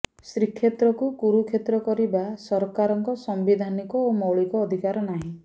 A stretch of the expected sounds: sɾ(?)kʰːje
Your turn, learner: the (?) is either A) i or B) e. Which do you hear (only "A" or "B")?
A